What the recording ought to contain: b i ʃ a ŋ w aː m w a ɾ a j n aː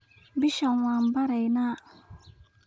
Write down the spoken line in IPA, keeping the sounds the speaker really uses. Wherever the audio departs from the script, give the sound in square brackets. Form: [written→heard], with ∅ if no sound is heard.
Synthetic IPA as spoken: b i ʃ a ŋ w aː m [w→b] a ɾ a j n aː

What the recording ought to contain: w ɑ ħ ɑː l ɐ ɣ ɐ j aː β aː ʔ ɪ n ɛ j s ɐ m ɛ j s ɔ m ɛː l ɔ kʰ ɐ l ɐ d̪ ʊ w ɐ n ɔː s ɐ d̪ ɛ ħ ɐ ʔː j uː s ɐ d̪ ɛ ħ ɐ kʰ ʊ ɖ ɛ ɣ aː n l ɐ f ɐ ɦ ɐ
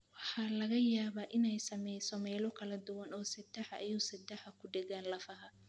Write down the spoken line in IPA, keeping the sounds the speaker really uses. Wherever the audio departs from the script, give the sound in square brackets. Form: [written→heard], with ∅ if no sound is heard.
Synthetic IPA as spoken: w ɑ ħ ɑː l ɐ ɣ ɐ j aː β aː ʔ ɪ n ɛ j s ɐ m ɛ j s ɔ m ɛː l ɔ kʰ ɐ l ɐ d̪ ʊ w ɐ n ɔː s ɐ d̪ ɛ ħ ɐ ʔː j uː s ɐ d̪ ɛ ħ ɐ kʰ ʊ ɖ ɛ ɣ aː n l ɐ f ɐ ɦ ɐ

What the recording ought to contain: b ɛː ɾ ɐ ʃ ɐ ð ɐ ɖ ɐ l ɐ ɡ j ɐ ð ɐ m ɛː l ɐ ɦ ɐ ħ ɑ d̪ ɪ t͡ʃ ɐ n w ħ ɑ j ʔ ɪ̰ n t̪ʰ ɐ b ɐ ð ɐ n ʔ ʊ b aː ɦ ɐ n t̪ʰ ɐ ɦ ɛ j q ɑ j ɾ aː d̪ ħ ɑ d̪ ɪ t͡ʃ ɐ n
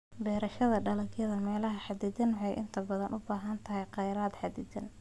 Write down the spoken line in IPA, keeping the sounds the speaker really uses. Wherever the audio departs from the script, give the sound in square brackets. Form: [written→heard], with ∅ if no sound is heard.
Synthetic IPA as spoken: b ɛː ɾ ɐ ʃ ɐ ð ɐ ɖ ɐ l ɐ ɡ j ɐ ð ɐ m ɛː l ɐ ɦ ɐ ħ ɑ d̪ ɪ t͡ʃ ɐ n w ħ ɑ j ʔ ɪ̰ n t̪ʰ ɐ b ɐ ð ɐ n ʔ ʊ b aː ɦ ɐ n t̪ʰ ɐ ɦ ɛ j q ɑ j ɾ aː d̪ ħ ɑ d̪ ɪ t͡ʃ ɐ n

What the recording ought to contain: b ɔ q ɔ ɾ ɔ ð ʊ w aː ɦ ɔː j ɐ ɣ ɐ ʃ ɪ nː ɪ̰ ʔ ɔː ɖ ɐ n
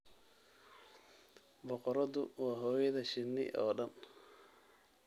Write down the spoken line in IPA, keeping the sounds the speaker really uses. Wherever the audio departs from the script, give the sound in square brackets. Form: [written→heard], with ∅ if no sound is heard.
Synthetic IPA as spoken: b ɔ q ɔ ɾ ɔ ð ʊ w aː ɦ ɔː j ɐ [ɣ→ð] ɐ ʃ ɪ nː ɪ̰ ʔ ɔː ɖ ɐ n

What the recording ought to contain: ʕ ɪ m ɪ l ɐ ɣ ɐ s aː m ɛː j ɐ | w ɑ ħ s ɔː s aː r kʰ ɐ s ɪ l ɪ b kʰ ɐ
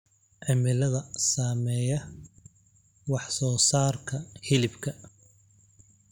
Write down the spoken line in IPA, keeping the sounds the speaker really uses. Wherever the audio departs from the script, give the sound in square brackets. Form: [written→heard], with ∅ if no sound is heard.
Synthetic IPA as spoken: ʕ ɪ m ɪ l ɐ [ɣ→ð] ɐ s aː m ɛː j ɐ | w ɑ ħ s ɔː s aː r kʰ ɐ [s→h] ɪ l ɪ b kʰ ɐ

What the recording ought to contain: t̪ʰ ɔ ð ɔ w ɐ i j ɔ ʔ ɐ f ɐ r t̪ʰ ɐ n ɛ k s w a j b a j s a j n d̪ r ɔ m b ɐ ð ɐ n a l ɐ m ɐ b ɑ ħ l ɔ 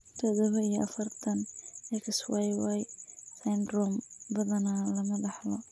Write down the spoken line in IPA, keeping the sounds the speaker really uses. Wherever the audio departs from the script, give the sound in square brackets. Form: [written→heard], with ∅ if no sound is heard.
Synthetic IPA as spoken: t̪ʰ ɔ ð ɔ [w→β] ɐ i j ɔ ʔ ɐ f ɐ r t̪ʰ ɐ n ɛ k s w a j [b→w] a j s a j n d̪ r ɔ m b ɐ ð ɐ n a l ɐ m ɐ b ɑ ħ l ɔ

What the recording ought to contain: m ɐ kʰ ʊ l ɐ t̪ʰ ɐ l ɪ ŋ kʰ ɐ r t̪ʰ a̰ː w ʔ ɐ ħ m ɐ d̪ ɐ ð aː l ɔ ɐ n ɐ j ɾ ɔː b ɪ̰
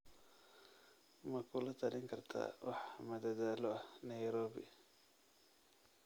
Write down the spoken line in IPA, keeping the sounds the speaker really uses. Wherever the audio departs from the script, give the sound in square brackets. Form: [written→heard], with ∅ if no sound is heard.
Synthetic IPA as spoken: m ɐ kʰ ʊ l ɐ t̪ʰ ɐ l ɪ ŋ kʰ ɐ r t̪ʰ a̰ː w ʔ [ɐ→ɑ] ħ m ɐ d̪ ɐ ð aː l ɔ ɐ n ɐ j ɾ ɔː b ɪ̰

